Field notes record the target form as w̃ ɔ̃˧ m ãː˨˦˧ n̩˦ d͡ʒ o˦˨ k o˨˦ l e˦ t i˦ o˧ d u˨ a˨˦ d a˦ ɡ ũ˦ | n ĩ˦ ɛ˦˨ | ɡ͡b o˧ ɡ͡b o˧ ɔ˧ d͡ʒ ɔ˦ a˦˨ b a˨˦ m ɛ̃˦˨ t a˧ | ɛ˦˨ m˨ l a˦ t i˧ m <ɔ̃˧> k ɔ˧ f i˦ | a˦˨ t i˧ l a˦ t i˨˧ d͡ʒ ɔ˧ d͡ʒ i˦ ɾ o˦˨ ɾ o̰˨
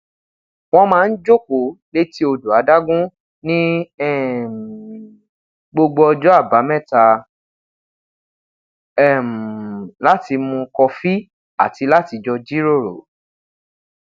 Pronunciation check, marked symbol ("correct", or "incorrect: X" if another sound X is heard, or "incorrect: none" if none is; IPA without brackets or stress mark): incorrect: ũ˧